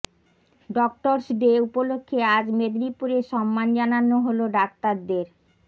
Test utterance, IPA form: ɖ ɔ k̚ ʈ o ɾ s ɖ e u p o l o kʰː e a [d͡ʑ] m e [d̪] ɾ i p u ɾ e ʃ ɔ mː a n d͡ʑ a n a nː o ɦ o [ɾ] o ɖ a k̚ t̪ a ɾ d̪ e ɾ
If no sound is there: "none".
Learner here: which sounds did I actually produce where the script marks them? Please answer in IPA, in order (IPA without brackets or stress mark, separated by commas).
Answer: d͡ʑ, d̪, l